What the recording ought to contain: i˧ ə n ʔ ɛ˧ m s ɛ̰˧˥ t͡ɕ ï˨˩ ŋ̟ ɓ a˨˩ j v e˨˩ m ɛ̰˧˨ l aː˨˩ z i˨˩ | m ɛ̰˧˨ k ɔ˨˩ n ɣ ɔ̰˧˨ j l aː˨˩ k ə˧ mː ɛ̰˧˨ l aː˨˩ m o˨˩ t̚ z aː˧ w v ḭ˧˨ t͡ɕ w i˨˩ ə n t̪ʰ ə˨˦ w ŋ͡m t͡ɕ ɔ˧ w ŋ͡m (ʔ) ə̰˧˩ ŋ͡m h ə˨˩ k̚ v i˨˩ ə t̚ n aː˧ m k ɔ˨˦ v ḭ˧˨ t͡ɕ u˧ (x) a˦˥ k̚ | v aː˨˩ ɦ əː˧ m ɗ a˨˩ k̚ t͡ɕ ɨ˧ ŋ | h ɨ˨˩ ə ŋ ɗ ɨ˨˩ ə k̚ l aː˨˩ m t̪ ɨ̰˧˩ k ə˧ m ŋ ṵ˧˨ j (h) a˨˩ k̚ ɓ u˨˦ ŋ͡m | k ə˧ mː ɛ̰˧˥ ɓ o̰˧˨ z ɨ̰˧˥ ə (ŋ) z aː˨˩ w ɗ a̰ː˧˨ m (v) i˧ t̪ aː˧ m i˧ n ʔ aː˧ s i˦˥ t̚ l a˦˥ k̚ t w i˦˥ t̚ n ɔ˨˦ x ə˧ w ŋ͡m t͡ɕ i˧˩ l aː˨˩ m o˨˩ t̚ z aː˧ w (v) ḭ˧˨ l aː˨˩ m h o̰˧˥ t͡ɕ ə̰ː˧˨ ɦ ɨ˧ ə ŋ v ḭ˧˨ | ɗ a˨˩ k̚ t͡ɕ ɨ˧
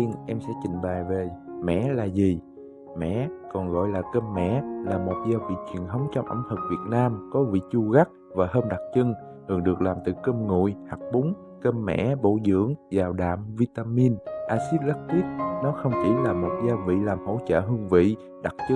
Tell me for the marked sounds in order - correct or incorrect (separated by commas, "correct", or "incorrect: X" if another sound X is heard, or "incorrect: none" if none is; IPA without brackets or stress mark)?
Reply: correct, incorrect: ɣ, correct, correct, correct, correct